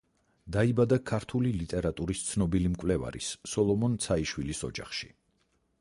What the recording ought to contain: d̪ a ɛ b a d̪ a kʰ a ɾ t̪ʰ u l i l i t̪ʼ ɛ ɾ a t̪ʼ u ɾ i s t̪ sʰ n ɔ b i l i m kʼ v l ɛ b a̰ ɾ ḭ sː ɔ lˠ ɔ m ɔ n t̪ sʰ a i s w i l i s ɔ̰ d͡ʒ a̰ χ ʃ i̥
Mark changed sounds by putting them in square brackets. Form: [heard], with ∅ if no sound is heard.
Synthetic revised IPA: d̪ a [i] b a d̪ a kʰ a ɾ t̪ʰ u l i l i t̪ʼ ɛ ɾ a t̪ʼ u ɾ i s t̪ sʰ n ɔ b i l i m kʼ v l ɛ [v] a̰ ɾ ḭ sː ɔ lˠ ɔ m ɔ n t̪ sʰ a i [ʃ] w i l i s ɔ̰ d͡ʒ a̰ χ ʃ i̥